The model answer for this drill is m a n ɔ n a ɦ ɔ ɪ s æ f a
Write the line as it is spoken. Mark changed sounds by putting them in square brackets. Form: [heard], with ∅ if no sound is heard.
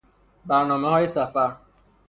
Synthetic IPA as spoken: [b] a n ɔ [m] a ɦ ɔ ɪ s [a] f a